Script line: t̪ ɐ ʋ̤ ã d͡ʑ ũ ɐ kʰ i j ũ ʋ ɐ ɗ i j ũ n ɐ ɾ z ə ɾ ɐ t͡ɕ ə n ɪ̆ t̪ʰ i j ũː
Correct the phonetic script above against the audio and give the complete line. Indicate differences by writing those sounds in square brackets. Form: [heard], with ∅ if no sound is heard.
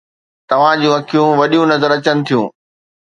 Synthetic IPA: t̪ ɐ ʋ̤ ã d͡ʑ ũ ɐ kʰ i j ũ ʋ ɐ ɗ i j ũ n ɐ [∅] z ə ɾ ɐ t͡ɕ ə n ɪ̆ t̪ʰ i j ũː